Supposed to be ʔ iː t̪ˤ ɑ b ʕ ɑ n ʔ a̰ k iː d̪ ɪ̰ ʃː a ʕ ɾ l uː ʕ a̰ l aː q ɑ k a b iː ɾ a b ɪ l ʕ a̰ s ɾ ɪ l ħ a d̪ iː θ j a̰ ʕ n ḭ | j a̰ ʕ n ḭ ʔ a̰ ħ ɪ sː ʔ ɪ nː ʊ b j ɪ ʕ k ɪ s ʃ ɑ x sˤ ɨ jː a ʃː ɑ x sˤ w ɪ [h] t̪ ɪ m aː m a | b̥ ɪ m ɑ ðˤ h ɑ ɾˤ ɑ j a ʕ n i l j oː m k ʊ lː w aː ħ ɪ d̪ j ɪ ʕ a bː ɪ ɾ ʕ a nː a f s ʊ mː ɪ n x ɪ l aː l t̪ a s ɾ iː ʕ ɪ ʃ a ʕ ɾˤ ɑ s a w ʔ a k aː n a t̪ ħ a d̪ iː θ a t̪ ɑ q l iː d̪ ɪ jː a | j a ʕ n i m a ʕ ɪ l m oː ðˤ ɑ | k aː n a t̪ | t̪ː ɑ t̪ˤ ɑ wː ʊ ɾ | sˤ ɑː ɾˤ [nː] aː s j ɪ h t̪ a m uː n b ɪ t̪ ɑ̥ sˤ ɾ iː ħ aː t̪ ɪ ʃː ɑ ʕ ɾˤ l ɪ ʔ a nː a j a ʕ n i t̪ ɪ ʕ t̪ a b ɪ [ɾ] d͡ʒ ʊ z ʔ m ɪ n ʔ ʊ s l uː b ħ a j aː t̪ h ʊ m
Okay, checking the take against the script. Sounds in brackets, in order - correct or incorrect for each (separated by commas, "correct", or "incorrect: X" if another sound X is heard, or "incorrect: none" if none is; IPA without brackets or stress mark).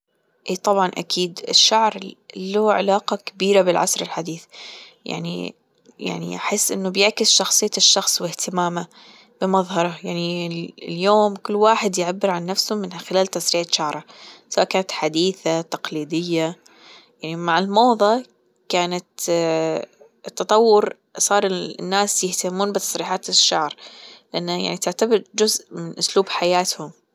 correct, correct, correct